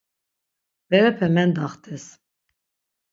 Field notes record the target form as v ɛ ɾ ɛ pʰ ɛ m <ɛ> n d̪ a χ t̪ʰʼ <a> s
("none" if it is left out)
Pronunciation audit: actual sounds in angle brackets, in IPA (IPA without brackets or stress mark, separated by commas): ɛ, ɛ